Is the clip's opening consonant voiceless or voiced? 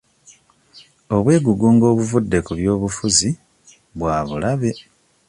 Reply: voiced